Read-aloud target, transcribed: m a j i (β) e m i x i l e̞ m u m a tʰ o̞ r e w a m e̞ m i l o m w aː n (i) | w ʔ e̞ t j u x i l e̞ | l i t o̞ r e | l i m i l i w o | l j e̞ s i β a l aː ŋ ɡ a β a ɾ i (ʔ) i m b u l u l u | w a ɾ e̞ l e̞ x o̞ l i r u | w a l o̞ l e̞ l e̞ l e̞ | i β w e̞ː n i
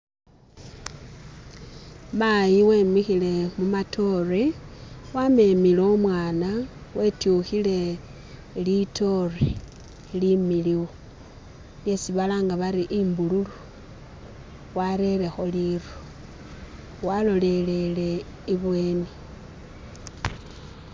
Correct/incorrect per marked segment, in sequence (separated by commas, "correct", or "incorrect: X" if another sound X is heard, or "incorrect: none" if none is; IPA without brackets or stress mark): incorrect: w, incorrect: a, correct